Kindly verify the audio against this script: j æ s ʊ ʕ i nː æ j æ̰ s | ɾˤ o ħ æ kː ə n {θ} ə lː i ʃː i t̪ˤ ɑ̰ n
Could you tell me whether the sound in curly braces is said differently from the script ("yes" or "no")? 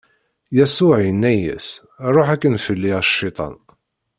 yes